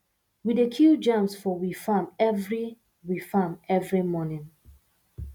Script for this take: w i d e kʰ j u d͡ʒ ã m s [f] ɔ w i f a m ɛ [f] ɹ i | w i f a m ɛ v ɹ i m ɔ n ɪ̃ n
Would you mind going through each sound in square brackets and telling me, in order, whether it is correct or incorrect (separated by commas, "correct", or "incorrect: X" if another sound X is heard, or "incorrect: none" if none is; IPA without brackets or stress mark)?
correct, incorrect: v